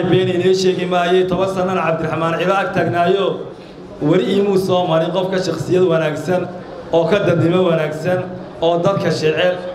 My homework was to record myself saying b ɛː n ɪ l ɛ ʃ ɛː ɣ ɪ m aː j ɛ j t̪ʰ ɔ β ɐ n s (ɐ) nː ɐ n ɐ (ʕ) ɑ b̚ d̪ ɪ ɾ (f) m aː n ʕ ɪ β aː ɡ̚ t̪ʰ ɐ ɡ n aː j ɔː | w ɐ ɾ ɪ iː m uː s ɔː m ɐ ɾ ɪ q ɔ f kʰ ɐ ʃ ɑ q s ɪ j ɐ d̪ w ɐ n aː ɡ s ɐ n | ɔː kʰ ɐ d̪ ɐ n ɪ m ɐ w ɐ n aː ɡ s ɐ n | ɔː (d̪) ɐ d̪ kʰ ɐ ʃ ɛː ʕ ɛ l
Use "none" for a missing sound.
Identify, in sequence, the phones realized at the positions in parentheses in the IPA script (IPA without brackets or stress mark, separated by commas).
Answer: ɐ, ʕ, ħ, d̪